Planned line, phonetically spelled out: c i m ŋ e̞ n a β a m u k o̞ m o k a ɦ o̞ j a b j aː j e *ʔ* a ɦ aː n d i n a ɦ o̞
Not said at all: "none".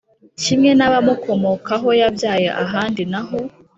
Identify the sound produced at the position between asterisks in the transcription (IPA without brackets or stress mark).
ʔ